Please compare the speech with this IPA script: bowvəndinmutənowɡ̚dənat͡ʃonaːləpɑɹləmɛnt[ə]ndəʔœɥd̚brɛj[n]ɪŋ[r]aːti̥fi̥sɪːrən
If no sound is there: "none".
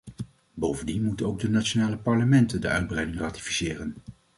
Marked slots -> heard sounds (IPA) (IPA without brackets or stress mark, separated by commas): ə, d, r